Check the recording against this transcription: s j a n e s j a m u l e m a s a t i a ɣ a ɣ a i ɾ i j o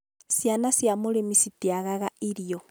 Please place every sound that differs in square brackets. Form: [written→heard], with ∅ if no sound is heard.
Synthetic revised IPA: s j a n [e→a] s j a m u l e m [a→i] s [a→i] t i a ɣ a ɣ a i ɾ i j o